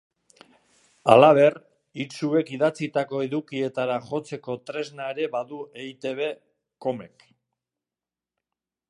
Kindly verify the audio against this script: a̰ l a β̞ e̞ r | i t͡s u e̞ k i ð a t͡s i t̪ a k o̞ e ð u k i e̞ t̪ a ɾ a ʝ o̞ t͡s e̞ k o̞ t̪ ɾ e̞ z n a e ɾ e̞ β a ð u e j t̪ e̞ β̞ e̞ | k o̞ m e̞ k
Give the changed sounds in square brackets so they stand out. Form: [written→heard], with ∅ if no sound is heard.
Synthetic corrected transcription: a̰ l a β̞ e̞ r | i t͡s u e̞ k i ð a t͡s i t̪ a k o̞ e ð u k i e̞ t̪ a ɾ a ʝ o̞ t͡s e̞ k o̞ t̪ ɾ e̞ z n a e ɾ e̞ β a ð u e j t̪ e̞ β̞ e̞ | k o̞ m e̞ k